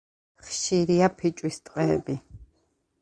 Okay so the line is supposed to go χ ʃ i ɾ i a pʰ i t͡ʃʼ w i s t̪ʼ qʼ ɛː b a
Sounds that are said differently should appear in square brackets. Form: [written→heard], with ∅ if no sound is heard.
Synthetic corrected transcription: χ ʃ i ɾ i a pʰ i t͡ʃʼ w i s t̪ʼ qʼ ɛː b [a→i]